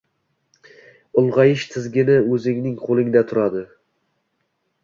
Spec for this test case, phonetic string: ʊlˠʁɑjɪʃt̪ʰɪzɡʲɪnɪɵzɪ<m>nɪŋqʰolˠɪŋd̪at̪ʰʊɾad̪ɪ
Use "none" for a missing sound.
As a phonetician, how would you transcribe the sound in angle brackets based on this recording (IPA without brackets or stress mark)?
ŋ